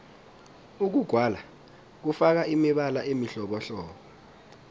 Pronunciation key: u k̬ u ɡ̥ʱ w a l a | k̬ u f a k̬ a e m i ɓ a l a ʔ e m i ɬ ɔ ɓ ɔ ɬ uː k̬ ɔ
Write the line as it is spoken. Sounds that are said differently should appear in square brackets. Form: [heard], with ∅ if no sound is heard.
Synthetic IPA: u k̬ u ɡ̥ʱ w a l a | k̬ u f a k̬ a [i] m i ɓ a l a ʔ e m i ɬ ɔ ɓ ɔ ɬ [ɔː] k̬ ɔ